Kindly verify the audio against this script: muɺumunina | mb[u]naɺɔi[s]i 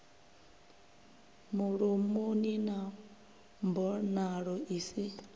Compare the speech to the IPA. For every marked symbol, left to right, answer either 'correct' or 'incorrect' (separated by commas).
incorrect, correct